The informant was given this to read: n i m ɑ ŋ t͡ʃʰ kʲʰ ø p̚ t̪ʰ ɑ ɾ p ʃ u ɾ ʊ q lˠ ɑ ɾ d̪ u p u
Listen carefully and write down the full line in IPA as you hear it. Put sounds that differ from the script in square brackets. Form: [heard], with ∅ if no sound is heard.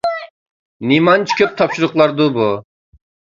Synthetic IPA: n i m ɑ [n] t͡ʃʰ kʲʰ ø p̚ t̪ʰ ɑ [∅] p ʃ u ɾ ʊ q lˠ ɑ ɾ d̪ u [b] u